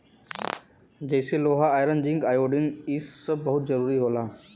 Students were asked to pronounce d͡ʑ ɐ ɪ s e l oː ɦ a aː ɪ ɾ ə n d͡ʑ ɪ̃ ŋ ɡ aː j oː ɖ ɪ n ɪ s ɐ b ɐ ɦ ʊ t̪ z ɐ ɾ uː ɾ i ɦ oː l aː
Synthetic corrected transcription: d͡ʑ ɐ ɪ s e l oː ɦ a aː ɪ ɾ ə n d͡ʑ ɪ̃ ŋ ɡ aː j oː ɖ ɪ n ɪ s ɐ b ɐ ɦ ʊ t̪ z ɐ ɾ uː ɾ i ɦ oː l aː